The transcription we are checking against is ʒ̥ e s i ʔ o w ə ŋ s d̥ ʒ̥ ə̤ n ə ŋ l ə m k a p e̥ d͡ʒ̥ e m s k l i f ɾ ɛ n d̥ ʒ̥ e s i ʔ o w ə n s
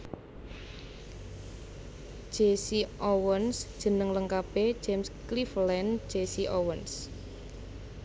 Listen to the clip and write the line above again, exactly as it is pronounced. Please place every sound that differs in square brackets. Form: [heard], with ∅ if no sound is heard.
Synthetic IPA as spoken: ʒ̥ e s i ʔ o w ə [n] s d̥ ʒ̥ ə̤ n ə ŋ l ə [ŋ] k a p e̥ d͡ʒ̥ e m s k l i f [l] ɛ n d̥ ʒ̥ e s i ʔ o w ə n s